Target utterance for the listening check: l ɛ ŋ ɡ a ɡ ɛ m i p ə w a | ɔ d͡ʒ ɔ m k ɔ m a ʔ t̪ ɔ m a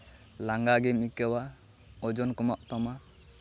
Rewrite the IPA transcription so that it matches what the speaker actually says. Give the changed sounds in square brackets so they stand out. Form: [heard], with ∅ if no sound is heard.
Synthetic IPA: l [a] ŋ ɡ a ɡ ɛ m i [k] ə w a | ɔ d͡ʒ ɔ [n] k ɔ m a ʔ t̪ ɔ m a